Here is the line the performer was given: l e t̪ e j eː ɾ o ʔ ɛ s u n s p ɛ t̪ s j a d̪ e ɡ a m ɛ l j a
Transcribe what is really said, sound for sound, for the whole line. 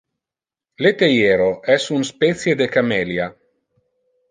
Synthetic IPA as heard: l e t̪ e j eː ɾ o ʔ ɛ s u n s p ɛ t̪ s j e d̪ e k a m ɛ l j a

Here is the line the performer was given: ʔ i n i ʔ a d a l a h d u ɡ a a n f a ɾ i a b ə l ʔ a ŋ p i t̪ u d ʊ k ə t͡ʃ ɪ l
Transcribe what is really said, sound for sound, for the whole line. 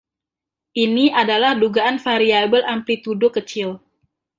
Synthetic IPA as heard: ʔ i n i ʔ a d a l a h d u ɡ a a n f a ɾ i a b ə l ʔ a m p i t̪ u d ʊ k ə t͡ʃ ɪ l

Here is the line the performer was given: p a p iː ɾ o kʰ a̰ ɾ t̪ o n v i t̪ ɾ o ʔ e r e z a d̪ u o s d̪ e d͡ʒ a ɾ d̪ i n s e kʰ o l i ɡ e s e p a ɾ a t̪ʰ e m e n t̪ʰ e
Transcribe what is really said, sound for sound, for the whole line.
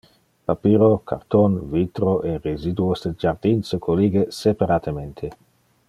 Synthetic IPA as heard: p a p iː ɾ o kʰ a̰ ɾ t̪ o n v i t̪ ɾ o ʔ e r e z i d̪ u o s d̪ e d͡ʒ a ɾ d̪ i n s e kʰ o l i ɡ e s e p a ɾ a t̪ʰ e m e n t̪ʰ e

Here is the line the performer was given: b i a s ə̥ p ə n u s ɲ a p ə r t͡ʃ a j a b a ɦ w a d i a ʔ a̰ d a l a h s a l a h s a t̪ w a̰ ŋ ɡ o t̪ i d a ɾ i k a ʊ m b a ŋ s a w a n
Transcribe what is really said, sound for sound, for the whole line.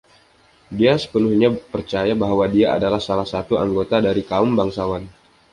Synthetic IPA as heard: d i a s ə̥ p ə n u h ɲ a p ə r t͡ʃ a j a b a ɦ w a d i a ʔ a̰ d a l a h s a l a h s a t̪ u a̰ ŋ ɡ o t̪ a d a ɾ i k a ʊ m b a ŋ s a w a n

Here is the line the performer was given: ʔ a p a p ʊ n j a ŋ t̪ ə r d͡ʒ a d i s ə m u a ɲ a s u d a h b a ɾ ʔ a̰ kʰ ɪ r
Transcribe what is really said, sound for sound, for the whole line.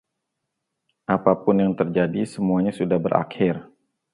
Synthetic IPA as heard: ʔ a p a p ʊ n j a ŋ t̪ ə r d͡ʒ a d i s ə m u a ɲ a s u d a h b ə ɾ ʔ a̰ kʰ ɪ r

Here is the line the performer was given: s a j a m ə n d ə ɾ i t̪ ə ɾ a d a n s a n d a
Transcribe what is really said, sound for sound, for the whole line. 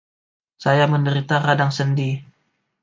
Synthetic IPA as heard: s a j a m ə n d ə ɾ i t̪ a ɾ a d a ŋ s ə n d i

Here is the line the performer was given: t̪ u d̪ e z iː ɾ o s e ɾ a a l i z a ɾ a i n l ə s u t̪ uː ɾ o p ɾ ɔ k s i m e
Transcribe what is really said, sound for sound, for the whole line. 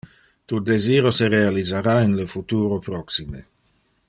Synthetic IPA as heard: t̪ u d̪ e z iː ɾ o s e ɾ e a l i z a ɾ a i n l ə f u t̪ uː ɾ o p ɾ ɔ k s i m e

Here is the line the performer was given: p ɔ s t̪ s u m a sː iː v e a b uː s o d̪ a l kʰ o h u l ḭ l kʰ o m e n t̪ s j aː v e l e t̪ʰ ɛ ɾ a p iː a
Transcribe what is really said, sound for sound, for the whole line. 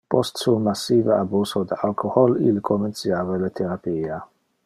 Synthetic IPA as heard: p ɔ s t̪ s u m a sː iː v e a b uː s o d̪ a l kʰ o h ɔ l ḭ l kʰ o m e n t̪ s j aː v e l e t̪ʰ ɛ ɾ a p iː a

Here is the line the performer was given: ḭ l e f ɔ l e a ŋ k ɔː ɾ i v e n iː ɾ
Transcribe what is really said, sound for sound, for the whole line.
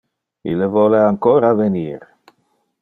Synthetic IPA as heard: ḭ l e v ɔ l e a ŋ k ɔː ɾ a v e n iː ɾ

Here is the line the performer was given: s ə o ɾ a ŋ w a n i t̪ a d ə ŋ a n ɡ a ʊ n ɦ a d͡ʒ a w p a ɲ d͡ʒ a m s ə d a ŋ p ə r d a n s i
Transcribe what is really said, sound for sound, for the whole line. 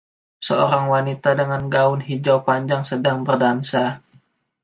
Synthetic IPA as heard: s ə o ɾ a ŋ w a n i t̪ a d ə ŋ a n ɡ a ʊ n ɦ i d͡ʒ a w p a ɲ d͡ʒ a ŋ s ə d a ŋ b ə r d a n s a

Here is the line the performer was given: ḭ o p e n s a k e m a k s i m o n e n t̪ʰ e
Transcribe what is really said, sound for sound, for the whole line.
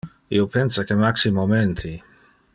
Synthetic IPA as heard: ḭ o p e n s a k e m a k s i m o m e n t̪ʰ i

